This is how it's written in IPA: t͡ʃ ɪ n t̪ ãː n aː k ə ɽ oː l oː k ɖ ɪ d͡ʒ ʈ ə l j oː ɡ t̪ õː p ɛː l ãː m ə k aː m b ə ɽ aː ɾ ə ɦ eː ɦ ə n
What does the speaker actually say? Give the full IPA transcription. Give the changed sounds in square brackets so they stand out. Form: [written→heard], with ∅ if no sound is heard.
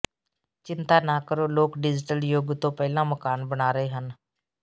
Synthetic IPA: t͡ʃ ɪ n t̪ [ãː→aː] n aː k ə [ɽ→ɾ] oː l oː k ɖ ɪ d͡ʒ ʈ ə l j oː ɡ t̪ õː p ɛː l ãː m ə k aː [m→n] b ə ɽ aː ɾ ə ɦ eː ɦ ə n